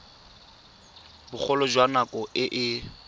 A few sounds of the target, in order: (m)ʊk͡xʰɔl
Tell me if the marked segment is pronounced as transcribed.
no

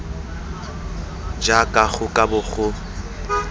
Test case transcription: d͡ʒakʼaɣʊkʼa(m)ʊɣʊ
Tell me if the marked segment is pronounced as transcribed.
no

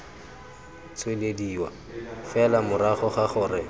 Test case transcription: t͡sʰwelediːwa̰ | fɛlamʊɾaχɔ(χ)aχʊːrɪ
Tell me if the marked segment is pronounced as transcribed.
yes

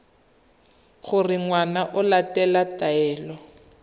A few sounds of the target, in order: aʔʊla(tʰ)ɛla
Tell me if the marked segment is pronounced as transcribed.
no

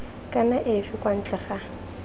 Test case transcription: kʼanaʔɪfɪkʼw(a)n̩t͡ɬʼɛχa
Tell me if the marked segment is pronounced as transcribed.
yes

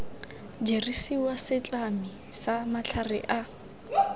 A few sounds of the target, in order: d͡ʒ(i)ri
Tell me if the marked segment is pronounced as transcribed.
no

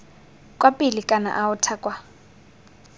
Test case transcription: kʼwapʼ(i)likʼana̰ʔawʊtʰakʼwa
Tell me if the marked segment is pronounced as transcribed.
yes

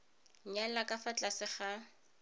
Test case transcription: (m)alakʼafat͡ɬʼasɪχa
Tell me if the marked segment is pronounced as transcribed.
no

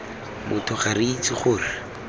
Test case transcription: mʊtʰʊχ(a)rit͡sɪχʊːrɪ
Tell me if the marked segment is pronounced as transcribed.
yes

